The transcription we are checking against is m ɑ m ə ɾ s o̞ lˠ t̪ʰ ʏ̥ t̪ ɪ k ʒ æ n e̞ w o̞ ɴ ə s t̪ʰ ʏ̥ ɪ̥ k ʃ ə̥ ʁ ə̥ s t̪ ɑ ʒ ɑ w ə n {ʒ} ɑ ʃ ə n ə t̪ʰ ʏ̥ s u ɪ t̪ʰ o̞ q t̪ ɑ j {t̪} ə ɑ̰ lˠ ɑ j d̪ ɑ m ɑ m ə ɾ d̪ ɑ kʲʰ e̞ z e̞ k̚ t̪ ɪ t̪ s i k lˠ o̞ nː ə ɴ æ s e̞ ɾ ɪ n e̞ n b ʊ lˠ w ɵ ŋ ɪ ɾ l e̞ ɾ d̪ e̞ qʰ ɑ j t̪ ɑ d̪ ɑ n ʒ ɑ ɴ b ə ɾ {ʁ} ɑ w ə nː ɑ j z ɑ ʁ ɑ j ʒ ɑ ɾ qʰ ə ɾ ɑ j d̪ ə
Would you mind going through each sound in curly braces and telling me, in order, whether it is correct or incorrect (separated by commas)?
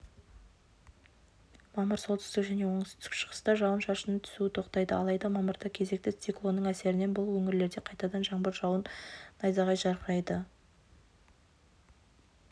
incorrect, incorrect, incorrect